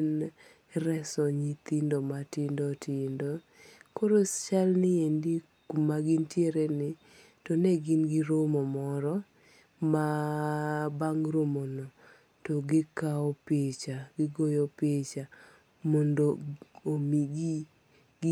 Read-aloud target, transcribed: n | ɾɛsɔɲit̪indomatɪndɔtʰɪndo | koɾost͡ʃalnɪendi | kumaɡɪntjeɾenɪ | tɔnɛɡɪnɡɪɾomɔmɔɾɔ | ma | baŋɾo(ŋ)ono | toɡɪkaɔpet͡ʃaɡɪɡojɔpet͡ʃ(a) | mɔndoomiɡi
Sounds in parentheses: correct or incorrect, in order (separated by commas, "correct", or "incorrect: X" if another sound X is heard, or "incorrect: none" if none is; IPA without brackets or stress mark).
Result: incorrect: m, correct